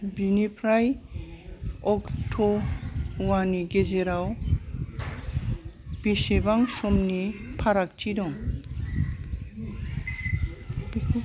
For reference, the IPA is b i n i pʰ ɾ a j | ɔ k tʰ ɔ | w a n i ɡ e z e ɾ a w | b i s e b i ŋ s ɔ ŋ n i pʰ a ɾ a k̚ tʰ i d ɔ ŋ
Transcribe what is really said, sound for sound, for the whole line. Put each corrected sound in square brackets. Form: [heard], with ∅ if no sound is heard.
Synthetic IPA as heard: b i n i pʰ ɾ a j | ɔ k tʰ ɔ | w a n i ɡ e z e ɾ a w | b i s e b [a] ŋ s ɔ [m] n i pʰ a ɾ a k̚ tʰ i d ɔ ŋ

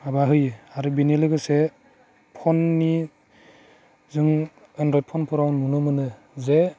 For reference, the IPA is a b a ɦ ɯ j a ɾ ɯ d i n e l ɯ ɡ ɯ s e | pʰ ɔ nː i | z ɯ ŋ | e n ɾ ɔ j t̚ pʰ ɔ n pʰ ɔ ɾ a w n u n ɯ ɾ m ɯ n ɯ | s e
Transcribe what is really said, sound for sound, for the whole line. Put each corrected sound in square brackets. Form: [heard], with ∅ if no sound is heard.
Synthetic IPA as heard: a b a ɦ ɯ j a ɾ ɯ [b] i n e l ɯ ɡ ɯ s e | pʰ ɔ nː i | z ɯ ŋ | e n ɾ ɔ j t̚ pʰ ɔ n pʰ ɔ ɾ a w n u n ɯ [∅] m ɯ n ɯ | [z] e

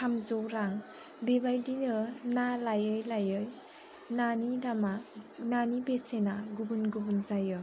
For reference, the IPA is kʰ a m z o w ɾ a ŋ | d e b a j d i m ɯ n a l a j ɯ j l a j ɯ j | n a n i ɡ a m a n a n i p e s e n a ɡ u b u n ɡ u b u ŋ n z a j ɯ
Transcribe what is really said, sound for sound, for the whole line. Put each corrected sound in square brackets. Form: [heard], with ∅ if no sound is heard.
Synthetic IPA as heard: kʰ a m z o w ɾ a ŋ | [b] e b a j d i [n] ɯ n a l a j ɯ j l a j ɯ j | n a n i [d] a m a n a n i [b] e s e n a ɡ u b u n ɡ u b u [∅] n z a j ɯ

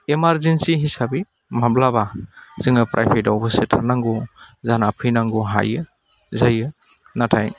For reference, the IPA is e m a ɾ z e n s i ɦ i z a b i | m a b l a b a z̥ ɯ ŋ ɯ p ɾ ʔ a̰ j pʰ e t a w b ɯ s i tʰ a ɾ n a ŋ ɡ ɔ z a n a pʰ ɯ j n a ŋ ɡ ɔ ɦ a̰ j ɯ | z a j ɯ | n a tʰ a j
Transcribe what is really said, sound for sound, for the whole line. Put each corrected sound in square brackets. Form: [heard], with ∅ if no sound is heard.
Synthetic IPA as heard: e m a ɾ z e n s i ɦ i [s] a b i | m a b l a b a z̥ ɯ ŋ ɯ p ɾ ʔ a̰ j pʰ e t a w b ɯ s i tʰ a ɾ n a ŋ ɡ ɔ z a n a pʰ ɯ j n a ŋ ɡ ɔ ɦ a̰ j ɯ | z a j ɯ | n a tʰ a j

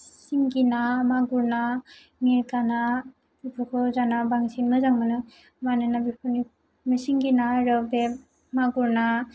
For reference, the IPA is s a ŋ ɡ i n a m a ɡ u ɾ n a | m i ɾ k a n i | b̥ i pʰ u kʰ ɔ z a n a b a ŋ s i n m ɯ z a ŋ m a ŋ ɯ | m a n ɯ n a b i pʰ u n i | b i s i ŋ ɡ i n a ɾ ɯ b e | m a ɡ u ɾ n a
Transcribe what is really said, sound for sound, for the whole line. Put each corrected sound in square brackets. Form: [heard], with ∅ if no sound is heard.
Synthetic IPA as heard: s [i] ŋ ɡ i n a m a ɡ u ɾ n a | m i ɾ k a n [a] | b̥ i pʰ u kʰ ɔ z a n a b a ŋ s i n m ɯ z a ŋ m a [n] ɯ | m a n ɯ n a b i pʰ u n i | [m] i s i ŋ ɡ i n a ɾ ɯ b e | m a ɡ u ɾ n a

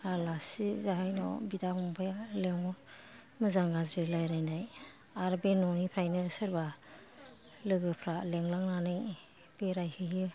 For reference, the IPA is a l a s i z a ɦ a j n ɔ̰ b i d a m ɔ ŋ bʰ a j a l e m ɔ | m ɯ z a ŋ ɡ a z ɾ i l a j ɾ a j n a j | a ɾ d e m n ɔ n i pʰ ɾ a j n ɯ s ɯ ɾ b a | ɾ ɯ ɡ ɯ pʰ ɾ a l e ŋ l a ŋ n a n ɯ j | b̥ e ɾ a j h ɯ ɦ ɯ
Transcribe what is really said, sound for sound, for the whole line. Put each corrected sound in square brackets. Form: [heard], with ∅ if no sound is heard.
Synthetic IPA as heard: a l a s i z a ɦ a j n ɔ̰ b i d a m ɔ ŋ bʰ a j a l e [ŋ] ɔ | m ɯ z a ŋ ɡ a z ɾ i l a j ɾ a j n a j | a ɾ [b] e [∅] n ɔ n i pʰ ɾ a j n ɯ s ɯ ɾ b a | [l] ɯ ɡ ɯ pʰ ɾ a l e ŋ l a ŋ n a n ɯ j | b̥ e ɾ a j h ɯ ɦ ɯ

